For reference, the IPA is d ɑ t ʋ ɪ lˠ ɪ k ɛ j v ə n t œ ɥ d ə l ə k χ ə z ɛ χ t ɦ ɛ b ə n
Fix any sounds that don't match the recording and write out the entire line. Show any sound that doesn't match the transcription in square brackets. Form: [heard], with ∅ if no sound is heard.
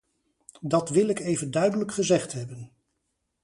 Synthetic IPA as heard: d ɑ t ʋ ɪ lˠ ɪ k [e] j v ə n [d] œ ɥ d ə l ə k χ ə z ɛ χ t ɦ ɛ b ə n